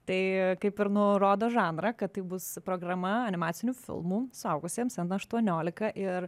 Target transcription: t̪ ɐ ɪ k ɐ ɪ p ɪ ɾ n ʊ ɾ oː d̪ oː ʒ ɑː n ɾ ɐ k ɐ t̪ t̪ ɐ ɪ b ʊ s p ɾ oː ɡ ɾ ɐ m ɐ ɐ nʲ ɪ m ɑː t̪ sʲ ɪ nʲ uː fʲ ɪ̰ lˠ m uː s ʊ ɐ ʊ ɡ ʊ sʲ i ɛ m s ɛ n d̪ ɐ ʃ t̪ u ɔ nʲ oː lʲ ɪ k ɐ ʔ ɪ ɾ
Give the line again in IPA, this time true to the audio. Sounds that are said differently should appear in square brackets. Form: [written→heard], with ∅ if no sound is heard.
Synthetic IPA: t̪ ɐ ɪ k ɐ ɪ p ɪ ɾ n ʊ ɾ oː d̪ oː ʒ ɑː n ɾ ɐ k ɐ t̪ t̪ ɐ ɪ b ʊ s p ɾ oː ɡ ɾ ɐ m ɐ ɐ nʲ ɪ m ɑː t̪ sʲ ɪ nʲ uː fʲ ɪ̰ lˠ m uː s ʊ ɐ ʊ ɡ ʊ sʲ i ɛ m s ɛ n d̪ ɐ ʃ t̪ u ɔ nʲ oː lʲ ɪ k ɐ ʔ ɪ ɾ

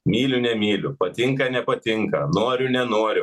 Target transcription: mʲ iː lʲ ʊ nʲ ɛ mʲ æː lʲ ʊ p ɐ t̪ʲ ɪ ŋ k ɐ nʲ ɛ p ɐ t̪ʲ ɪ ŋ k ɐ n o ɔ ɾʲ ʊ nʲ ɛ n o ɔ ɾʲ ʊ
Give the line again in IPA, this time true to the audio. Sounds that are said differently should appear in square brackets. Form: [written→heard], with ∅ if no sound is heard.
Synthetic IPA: mʲ iː lʲ ʊ nʲ ɛ mʲ [æː→iː] lʲ ʊ p ɐ t̪ʲ ɪ ŋ k ɐ nʲ ɛ p ɐ t̪ʲ ɪ ŋ k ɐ n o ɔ ɾʲ ʊ nʲ ɛ n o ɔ ɾʲ ʊ

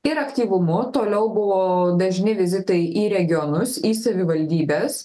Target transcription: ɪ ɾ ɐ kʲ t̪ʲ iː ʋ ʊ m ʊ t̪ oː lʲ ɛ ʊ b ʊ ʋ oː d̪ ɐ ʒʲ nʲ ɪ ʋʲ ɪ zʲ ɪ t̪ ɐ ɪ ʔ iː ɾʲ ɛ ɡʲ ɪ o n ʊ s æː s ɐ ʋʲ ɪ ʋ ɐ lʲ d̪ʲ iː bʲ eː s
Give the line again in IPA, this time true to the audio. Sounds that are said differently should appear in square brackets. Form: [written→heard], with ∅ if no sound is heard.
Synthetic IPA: ɪ ɾ ɐ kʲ t̪ʲ iː ʋ ʊ m ʊ t̪ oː lʲ ɛ ʊ b ʊ ʋ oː d̪ ɐ ʒʲ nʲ ɪ ʋʲ ɪ zʲ ɪ t̪ ɐ ɪ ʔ iː ɾʲ ɛ ɡʲ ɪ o n ʊ s [æː→iː] s ɐ ʋʲ ɪ ʋ ɐ lʲ d̪ʲ iː bʲ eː s

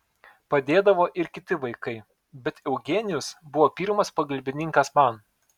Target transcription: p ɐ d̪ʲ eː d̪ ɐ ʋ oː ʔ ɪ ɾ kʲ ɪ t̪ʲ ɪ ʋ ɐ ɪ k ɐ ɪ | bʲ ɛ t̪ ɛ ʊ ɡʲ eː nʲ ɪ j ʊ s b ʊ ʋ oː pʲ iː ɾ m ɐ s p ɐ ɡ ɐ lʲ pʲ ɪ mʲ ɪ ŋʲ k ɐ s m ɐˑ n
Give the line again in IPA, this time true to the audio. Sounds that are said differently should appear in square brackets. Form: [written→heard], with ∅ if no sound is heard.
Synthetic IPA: p ɐ d̪ʲ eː d̪ ɐ ʋ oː ʔ ɪ ɾ kʲ ɪ t̪ʲ ɪ ʋ ɐ ɪ k ɐ ɪ | bʲ ɛ t̪ ɛ ʊ ɡʲ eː nʲ ɪ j ʊ s b ʊ ʋ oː pʲ iː ɾ m ɐ s p ɐ ɡ ɐ lʲ [pʲ→bʲ] ɪ [mʲ→nʲ] ɪ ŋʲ k ɐ s m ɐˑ n

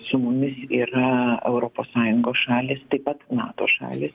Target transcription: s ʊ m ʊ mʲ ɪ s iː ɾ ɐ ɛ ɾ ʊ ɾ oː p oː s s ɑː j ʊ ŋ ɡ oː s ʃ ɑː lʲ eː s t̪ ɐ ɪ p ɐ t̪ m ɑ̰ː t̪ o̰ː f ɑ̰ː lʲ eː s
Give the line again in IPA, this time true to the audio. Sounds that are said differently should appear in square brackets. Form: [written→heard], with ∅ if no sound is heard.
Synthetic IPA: s ʊ m ʊ mʲ ɪ s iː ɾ ɐ ɛ [ɾ→∅] ʊ ɾ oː p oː s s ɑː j ʊ ŋ ɡ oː s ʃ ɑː lʲ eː s t̪ ɐ ɪ p ɐ t̪ [m→n] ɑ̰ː t̪ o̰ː [f→ʃ] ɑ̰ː lʲ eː s

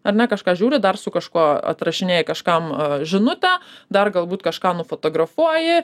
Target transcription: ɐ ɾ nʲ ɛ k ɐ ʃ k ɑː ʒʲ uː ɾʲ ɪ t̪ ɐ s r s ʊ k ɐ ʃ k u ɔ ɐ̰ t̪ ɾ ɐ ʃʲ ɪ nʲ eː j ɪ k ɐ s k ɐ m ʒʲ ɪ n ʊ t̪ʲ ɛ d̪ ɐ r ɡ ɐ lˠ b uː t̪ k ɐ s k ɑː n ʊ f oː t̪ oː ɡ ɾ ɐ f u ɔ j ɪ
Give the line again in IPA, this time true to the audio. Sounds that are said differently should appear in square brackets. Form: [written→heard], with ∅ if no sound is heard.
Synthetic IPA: ɐ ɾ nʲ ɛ k ɐ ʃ k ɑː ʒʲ uː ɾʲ ɪ [t̪→d̪] ɐ [s→∅] r s ʊ k ɐ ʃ k u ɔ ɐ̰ t̪ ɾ ɐ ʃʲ ɪ nʲ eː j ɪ k ɐ [s→ʃ] k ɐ m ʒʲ ɪ n ʊ t̪ʲ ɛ d̪ ɐ r ɡ ɐ lˠ b uː t̪ k ɐ [s→ʃ] k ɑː n ʊ f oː t̪ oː ɡ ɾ ɐ f u ɔ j ɪ

